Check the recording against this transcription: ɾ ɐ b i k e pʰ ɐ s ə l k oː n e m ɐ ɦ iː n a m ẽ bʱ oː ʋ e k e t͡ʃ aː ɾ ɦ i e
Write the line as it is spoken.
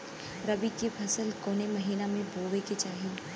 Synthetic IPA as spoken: ɾ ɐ b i k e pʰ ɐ s ə l k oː n e m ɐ ɦ iː n a m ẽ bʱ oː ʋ e k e t͡ʃ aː ɦ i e